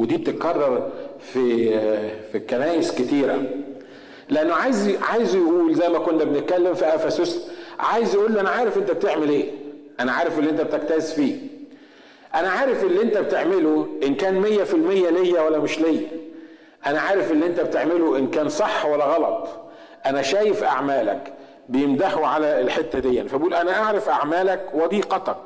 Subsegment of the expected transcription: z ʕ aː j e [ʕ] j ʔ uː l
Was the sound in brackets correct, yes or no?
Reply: no